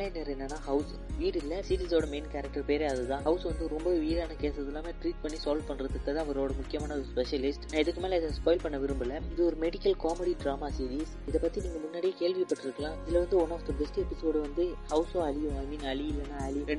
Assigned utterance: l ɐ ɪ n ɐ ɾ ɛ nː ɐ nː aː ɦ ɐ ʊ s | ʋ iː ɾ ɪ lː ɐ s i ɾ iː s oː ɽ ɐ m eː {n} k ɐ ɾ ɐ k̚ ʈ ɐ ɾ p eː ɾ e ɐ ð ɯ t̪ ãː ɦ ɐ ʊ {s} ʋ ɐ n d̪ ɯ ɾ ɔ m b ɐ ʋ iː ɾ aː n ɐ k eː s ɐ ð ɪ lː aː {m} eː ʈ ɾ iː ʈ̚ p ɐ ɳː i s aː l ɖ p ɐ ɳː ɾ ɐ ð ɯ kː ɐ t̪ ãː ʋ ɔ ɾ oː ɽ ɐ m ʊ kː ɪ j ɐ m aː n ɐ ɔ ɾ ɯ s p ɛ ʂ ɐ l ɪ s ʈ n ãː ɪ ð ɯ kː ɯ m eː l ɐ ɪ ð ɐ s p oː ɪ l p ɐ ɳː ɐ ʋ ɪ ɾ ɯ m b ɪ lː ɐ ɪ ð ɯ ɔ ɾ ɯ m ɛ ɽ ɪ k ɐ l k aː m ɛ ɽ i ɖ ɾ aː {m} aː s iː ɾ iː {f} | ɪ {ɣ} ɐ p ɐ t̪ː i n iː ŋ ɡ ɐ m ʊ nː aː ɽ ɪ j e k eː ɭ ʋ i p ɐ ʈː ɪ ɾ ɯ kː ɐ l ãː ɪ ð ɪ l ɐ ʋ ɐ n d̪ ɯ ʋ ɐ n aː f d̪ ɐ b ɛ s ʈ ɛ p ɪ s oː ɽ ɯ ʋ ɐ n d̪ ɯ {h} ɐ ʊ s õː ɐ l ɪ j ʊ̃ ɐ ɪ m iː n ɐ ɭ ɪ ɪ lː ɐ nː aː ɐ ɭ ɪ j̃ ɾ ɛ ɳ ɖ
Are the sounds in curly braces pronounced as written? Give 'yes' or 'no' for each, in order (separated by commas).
yes, yes, yes, yes, no, no, yes